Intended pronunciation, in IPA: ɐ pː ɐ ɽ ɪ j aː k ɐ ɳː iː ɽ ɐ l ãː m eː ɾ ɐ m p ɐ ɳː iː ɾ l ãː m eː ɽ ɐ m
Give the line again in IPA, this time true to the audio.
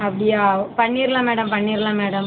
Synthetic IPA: ɐ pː ɐ ɽ ɪ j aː p ɐ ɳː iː ɾ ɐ l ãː m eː ɽ ɐ m p ɐ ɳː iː ɾ l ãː m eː ɽ ɐ m